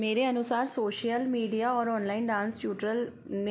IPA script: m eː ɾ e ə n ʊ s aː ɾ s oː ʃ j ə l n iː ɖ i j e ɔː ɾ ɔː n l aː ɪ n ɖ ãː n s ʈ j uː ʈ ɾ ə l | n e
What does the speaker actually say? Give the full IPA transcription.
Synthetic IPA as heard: m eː ɾ e ə n ʊ s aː ɾ s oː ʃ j ə l m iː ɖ i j a ɔː ɾ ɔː n l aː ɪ n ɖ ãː n s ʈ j uː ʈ ɾ ə l | n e